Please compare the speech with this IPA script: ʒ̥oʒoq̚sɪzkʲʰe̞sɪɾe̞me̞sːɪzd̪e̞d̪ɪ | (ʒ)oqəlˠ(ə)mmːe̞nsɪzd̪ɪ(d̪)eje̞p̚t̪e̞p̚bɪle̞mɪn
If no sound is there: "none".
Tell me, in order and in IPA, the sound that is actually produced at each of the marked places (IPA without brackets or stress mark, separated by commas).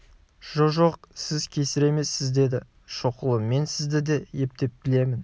ʃ, ə, d̪